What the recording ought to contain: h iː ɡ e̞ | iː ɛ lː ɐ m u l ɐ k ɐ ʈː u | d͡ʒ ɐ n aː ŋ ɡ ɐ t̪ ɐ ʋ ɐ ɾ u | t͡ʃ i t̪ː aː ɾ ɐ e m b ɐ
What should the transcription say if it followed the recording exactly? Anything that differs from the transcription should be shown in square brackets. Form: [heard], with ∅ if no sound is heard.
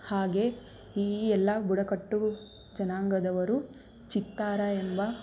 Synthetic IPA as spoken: h [aː] ɡ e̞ | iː ɛ lː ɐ [b] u [ɽ] ɐ k ɐ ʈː u | d͡ʒ ɐ n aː ŋ ɡ ɐ [d̪] ɐ ʋ ɐ ɾ u | t͡ʃ i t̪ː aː ɾ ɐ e m b ɐ